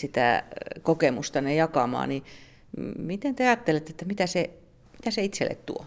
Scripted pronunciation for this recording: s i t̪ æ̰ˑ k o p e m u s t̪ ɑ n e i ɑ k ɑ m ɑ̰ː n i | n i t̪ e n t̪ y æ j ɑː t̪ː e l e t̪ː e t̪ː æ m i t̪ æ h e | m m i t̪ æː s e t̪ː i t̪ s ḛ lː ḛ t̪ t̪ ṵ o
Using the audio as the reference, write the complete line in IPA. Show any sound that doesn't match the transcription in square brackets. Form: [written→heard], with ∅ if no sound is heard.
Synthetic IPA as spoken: s i t̪ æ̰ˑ k o [p→k] e m u s t̪ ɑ n e [i→j] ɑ k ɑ m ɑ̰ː n i | [n→m] i t̪ e n t̪ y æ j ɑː t̪ː e l e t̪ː e t̪ː æ m i t̪ æ [h→s] e | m m i t̪ [æː→æ] s e [t̪ː→∅] i t̪ s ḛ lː ḛ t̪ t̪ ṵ o